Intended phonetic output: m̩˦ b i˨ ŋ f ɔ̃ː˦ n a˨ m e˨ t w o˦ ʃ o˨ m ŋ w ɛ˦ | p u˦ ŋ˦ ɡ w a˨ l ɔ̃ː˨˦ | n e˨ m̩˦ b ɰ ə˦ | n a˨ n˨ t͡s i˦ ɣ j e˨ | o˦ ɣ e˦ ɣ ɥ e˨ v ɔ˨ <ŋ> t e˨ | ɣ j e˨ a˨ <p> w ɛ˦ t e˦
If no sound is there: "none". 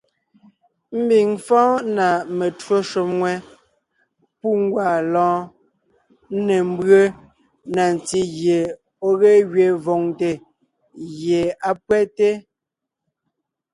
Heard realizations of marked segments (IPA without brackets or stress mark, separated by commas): ŋ, p